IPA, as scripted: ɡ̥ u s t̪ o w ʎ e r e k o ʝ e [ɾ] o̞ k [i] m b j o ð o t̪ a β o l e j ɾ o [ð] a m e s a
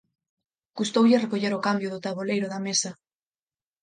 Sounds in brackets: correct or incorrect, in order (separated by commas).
correct, incorrect, correct